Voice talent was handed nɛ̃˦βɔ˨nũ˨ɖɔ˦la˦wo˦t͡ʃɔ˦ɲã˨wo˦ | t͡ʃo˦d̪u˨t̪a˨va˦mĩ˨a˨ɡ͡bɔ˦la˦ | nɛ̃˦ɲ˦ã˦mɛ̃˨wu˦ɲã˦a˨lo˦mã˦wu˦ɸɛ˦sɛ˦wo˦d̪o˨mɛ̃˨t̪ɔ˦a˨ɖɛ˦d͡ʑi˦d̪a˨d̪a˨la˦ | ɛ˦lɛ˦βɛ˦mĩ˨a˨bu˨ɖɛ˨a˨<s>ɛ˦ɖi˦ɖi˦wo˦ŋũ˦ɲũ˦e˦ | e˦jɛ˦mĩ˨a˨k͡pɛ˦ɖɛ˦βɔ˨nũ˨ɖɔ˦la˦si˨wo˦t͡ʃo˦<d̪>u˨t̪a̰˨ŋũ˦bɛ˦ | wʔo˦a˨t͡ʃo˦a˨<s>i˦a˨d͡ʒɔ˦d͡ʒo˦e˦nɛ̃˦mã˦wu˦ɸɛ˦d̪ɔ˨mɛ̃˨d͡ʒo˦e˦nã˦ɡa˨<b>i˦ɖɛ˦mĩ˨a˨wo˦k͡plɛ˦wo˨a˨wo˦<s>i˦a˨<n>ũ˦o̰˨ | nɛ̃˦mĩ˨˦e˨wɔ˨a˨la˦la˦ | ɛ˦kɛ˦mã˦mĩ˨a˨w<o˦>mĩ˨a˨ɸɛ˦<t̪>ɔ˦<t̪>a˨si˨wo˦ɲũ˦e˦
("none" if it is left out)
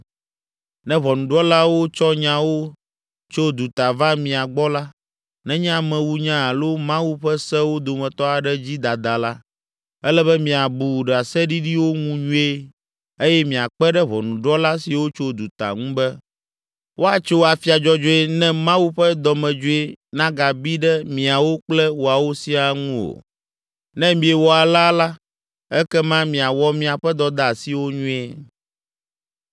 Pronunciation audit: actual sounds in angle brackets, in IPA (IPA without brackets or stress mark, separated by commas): s, d̪, f, b, s, ŋ, ɔ˦, d̪, d̪